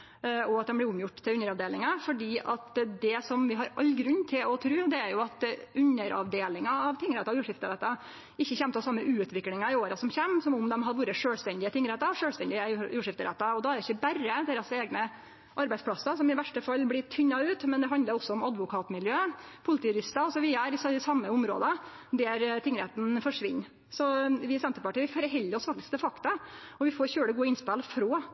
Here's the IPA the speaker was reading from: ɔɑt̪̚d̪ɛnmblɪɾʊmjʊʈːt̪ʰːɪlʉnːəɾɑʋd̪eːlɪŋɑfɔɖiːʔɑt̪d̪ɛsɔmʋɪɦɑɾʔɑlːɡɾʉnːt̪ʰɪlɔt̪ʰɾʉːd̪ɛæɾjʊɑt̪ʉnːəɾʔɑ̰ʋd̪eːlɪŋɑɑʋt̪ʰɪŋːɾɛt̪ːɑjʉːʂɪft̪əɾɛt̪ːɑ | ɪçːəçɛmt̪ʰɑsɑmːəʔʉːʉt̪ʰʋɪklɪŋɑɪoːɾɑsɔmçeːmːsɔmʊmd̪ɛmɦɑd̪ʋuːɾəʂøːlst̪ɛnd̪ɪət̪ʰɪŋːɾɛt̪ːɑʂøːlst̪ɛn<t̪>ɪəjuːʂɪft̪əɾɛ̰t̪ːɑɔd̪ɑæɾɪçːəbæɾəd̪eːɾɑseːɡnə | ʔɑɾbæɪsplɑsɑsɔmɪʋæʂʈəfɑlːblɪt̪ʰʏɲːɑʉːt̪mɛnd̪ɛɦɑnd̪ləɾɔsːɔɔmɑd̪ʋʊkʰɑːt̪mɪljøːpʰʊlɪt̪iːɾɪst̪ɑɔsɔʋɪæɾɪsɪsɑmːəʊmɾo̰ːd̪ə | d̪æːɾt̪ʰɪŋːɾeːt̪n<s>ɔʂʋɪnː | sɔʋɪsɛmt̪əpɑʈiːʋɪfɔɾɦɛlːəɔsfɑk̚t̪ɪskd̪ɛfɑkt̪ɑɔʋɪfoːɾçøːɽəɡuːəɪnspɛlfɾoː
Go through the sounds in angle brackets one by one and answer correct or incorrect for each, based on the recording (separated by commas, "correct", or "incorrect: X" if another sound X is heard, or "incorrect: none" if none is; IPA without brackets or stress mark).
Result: incorrect: d̪, incorrect: f